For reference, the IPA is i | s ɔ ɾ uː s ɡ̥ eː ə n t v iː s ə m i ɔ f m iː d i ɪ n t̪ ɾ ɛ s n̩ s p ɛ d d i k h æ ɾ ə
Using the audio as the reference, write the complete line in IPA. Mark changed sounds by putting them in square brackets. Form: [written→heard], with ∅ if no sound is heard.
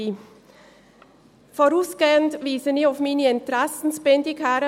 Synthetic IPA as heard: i | [s→f] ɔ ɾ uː s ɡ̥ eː ə n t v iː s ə [m→n] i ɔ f m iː [d→n] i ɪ n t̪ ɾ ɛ s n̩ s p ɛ [d→n] d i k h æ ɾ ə